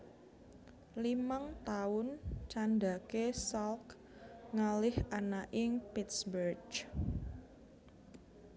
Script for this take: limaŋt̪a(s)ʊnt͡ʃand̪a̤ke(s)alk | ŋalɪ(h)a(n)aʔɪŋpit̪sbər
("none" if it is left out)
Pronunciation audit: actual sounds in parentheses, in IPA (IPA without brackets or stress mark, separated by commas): none, s, h, n